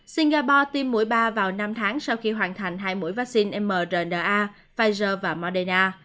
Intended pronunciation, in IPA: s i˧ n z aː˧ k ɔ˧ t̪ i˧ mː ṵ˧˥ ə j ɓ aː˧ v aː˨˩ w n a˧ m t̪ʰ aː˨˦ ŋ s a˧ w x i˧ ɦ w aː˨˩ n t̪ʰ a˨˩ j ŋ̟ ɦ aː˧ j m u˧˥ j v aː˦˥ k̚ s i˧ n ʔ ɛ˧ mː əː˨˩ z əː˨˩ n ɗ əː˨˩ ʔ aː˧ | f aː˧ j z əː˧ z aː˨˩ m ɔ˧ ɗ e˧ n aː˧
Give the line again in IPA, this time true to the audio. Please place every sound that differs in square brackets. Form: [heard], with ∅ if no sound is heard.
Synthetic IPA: s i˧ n [ɣ] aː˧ [p] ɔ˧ t̪ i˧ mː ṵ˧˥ ə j ɓ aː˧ v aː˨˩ w n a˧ m t̪ʰ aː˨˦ ŋ s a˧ w x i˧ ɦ w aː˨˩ n t̪ʰ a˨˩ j ŋ̟ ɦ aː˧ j m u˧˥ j v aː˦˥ k̚ s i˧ n ʔ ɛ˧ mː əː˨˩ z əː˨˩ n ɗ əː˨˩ ʔ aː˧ | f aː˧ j z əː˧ [v] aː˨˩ m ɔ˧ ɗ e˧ n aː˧